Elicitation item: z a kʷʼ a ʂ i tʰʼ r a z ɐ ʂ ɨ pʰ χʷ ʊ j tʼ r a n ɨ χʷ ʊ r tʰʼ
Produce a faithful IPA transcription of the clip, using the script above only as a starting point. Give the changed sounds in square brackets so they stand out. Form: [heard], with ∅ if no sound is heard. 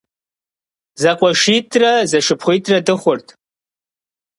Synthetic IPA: z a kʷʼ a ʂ i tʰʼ r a z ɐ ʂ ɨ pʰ χʷ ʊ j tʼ r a [d] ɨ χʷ ʊ r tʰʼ